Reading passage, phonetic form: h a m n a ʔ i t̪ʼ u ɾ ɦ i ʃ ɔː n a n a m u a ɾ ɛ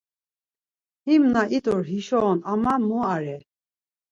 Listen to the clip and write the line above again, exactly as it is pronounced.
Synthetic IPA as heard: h i m n a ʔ i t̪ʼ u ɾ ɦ i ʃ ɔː n a m a m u a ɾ ɛ